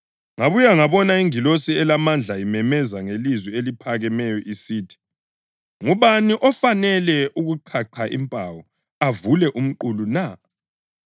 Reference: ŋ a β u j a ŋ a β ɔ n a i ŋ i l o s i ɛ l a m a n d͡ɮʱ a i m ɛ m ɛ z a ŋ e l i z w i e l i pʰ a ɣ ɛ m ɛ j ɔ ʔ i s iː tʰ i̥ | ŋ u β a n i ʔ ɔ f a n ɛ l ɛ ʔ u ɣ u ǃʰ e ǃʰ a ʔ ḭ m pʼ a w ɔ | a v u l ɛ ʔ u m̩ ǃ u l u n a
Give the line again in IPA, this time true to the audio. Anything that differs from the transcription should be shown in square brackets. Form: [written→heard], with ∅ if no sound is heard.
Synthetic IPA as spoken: ŋ a β u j a ŋ a β ɔ n a i ŋ i l o s i ɛ l a m a n d͡ɮʱ a i m ɛ m ɛ z a ŋ e l i z w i e l i pʰ a ɣ ɛ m ɛ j ɔ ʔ i s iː tʰ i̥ | ŋ u β a n i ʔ ɔ f a n ɛ l ɛ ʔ u ɣ u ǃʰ [e→a] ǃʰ a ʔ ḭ m pʼ a w ɔ | a v u l ɛ ʔ u m̩ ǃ u l u n a